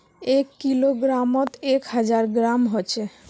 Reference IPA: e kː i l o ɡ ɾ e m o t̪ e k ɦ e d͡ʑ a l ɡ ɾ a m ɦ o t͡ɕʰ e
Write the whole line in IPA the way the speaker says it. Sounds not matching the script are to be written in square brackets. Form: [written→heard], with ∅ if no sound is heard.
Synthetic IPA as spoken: e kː i l o ɡ ɾ [e→a] m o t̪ e k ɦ [e→a] d͡ʑ a [l→ɾ] ɡ ɾ a m ɦ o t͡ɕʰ e